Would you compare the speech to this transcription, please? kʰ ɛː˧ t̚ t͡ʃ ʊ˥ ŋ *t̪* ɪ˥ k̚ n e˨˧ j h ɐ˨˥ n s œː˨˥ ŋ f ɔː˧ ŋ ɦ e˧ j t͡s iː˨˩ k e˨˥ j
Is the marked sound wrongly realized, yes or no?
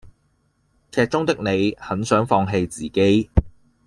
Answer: no